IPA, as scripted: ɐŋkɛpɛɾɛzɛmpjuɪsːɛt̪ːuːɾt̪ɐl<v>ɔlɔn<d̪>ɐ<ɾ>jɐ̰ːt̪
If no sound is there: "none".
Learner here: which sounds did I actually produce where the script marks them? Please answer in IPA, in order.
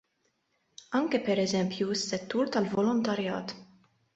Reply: v, t̪, ɾ

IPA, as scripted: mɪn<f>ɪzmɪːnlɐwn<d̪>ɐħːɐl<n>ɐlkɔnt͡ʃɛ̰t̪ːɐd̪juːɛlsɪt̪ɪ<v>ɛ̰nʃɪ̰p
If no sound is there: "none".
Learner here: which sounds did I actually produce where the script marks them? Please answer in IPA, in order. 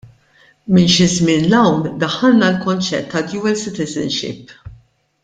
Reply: ʃ, d̪, n, z

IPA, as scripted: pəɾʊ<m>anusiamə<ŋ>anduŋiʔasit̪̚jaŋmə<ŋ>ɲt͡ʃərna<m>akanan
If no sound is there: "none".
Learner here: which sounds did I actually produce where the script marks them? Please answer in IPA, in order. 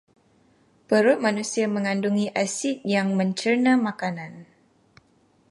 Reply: m, ŋ, none, m

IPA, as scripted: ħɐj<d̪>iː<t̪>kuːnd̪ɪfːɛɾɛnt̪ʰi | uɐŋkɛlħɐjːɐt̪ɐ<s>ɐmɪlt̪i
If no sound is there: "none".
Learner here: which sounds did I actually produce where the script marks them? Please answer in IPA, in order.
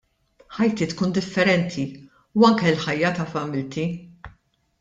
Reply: t̪, t̪, f

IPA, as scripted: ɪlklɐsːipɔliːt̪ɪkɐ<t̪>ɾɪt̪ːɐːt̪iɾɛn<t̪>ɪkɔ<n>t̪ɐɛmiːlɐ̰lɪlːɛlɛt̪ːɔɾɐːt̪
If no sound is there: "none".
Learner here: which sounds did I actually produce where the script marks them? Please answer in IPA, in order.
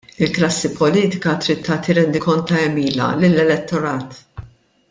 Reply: t̪, d̪, n

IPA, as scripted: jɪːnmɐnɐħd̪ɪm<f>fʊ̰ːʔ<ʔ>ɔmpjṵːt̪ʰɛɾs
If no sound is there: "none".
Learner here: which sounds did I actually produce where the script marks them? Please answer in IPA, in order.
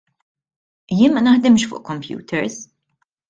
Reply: ʃ, k

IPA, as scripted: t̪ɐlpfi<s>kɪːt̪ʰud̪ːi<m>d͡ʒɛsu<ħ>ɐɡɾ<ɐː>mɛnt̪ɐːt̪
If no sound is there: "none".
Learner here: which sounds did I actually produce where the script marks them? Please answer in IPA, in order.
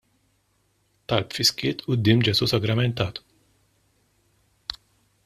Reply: s, m, s, ɐ

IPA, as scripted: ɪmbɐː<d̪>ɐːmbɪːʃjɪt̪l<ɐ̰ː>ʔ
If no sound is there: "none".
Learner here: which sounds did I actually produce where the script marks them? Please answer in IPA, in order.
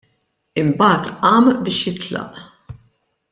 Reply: t̪, ɐ̰

